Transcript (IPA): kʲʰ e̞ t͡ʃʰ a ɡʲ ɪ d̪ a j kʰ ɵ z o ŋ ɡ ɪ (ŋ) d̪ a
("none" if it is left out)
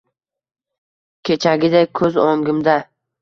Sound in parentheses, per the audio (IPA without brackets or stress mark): m